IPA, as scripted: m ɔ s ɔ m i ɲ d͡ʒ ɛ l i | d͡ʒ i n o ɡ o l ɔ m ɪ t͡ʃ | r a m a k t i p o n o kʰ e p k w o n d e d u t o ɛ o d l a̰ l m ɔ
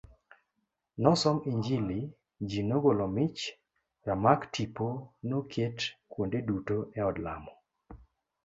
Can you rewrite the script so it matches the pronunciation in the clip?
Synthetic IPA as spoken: n ɔ s ɔ m i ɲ d͡ʒ i l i | d͡ʒ i n o ɡ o l ɔ m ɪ t͡ʃ | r a m a k t i p o n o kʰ e t k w o n d e d u t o ɛ ɔ d l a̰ m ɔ

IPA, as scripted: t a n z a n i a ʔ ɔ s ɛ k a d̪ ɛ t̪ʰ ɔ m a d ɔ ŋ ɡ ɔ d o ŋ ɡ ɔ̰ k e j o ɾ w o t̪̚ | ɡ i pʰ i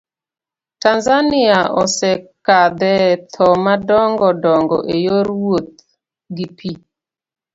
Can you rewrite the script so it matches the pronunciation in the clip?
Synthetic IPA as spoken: t a n z a n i a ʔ ɔ s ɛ k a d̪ ɛ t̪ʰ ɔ m a d ɔ ŋ ɡ ɔ d ɔ ŋ ɡ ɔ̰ ʔ e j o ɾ w o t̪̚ | ɡ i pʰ i

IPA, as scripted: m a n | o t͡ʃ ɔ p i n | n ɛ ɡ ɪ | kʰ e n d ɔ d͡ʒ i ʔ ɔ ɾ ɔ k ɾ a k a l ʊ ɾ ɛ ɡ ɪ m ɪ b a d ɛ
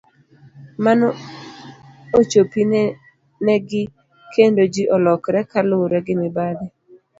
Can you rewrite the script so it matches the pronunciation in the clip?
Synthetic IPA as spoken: m a n | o t͡ʃ o p i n | n ɛ ɡ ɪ | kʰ e n d o d͡ʒ i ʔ ɔ l ɔ k ɾ ɛ k a l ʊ ɾ ɛ ɡ ɪ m ɪ b a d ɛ

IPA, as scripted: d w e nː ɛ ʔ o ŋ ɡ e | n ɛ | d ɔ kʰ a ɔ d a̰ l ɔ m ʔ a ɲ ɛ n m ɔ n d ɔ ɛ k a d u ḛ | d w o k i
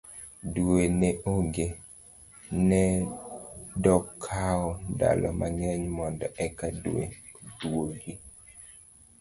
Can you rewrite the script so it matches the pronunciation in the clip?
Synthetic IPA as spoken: d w e n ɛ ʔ o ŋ ɡ e | n ɛ | d ɔ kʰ a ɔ d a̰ l ɔ m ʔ a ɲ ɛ ɲ m ɔ n d ɔ ɛ k a d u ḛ | d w o ɡ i

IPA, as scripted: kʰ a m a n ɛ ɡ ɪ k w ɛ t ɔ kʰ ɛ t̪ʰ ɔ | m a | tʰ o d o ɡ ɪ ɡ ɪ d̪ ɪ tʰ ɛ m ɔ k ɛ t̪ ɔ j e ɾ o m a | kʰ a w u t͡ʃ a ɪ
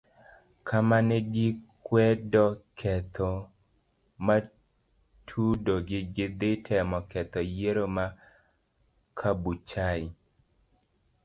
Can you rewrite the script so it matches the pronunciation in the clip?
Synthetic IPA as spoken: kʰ a m a n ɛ ɡ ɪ k w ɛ d ɔ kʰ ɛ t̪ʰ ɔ | m a | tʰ u d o ɡ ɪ ɡ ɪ d̪ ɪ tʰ ɛ m ɔ k ɛ t̪ ɔ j e ɾ o m a | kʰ a b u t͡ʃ a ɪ

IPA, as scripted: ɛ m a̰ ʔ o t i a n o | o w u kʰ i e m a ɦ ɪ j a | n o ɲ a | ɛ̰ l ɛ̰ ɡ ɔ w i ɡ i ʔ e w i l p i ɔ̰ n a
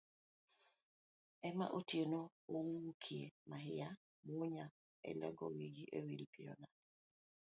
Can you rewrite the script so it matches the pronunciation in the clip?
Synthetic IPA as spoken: ɛ m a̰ ʔ o t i e n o | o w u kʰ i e m a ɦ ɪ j a | m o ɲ a | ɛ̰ l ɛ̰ ɡ ɔ w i ɡ i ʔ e w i l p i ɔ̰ n a

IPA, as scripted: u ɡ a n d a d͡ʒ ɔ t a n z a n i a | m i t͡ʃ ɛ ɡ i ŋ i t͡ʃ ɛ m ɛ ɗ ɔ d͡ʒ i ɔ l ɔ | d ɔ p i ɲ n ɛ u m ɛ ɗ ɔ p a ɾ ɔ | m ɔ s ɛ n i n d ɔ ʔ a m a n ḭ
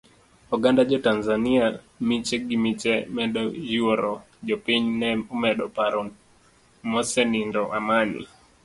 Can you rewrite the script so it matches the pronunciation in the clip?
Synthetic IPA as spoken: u ɡ a n d a d͡ʒ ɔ t a n z a n i a | m i t͡ʃ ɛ ɡ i m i t͡ʃ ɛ m ɛ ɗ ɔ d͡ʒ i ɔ ɾ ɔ | d͡ʒ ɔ p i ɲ n ɛ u m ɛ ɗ ɔ p a ɾ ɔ | m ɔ s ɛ n i n d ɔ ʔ a m a n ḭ

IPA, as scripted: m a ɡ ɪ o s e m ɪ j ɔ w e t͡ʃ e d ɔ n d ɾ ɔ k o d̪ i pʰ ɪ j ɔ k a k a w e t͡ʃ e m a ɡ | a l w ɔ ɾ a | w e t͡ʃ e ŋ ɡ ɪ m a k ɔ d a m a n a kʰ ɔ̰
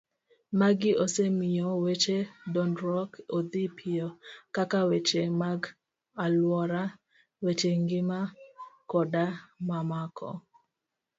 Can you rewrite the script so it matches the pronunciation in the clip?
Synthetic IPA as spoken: m a ɡ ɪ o s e m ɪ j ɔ w e t͡ʃ e d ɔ n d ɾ ɔ k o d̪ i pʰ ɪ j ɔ k a k a w e t͡ʃ e m a ɡ | a l w ɔ ɾ a | w e t͡ʃ e ŋ ɡ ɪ m a k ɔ d a m a m a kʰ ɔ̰

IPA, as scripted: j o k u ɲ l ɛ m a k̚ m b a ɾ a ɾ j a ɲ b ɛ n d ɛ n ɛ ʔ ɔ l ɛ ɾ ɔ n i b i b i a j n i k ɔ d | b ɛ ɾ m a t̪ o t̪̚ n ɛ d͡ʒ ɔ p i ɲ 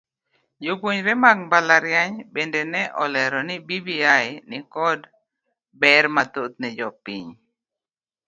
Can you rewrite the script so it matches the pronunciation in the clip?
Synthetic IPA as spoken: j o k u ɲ ɾ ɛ m a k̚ m b a l a ɾ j a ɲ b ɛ n d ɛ n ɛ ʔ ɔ l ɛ ɾ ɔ n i b i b i a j n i k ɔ d | b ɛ ɾ m a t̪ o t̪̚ n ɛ d͡ʒ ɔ p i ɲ

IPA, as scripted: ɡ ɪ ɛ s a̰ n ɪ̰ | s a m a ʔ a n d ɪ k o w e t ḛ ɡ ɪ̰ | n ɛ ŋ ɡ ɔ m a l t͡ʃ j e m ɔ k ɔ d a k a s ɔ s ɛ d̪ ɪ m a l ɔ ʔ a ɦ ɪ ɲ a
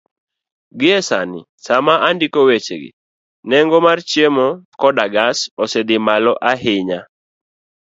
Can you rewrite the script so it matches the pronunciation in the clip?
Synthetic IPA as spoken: ɡ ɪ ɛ s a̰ n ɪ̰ | s a m a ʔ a n d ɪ k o w e t͡ʃ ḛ ɡ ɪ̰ | n ɛ ŋ ɡ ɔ m a r t͡ʃ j e m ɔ k ɔ d a ɡ a s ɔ s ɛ d̪ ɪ m a l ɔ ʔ a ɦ ɪ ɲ a

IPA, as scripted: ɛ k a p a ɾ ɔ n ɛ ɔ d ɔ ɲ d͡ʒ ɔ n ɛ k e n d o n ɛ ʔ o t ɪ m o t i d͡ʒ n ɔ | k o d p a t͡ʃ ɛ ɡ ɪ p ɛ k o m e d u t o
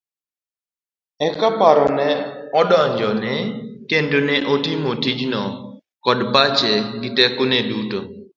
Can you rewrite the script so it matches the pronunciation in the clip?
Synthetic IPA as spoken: ɛ k a p a ɾ ɔ n ɛ ɔ d ɔ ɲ d͡ʒ ɔ n ɛ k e n d o n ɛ ʔ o t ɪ m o t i d͡ʒ n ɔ | k ɔ d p a t͡ʃ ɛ ɡ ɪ t ɛ k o n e d u t o

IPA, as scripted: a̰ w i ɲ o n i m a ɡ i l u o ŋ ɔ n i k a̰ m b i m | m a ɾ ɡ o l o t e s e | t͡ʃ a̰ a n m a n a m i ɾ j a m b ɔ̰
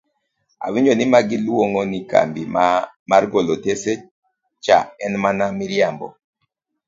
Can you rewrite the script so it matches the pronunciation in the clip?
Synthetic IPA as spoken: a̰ w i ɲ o n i m a ɡ i l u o ŋ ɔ n i k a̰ m b i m | m a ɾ ɡ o l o t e s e | t͡ʃ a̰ ɛ n m a n a m i ɾ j a m b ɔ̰

